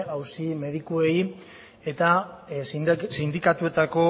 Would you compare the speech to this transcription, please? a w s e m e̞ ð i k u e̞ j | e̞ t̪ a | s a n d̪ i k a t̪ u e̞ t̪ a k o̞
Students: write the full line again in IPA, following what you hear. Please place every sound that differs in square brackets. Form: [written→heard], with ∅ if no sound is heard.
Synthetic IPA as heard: a w s [e→i] m e̞ ð i k u e̞ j | e̞ t̪ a | s [a→i] n d̪ i k a t̪ u e̞ t̪ a k o̞